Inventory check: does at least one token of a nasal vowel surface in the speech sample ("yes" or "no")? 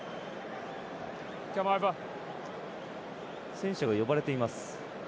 yes